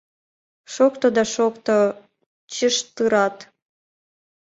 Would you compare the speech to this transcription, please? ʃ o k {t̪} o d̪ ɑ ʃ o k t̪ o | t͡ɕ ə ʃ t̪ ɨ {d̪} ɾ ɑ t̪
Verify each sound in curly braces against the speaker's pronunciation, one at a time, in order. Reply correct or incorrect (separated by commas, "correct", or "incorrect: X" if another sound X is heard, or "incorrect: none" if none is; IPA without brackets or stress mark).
correct, incorrect: none